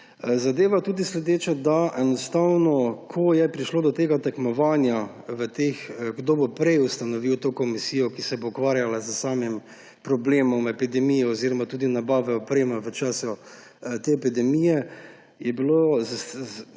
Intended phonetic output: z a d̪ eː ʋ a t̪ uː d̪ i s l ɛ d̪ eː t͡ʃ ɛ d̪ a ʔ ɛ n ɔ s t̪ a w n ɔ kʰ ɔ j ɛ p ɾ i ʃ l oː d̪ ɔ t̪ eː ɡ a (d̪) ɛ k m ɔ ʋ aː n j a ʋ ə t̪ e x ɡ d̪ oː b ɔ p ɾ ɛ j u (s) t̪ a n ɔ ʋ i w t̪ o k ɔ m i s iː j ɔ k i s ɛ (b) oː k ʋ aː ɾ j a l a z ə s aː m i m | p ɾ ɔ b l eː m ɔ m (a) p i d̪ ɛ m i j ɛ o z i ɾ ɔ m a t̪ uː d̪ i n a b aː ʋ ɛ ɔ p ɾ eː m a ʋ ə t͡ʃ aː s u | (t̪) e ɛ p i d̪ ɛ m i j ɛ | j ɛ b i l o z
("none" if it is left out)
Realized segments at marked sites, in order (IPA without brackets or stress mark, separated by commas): t̪, s, b, ɛ, t̪